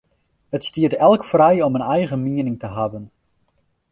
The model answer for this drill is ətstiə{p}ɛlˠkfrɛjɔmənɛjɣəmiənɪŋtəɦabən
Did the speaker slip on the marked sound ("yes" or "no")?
yes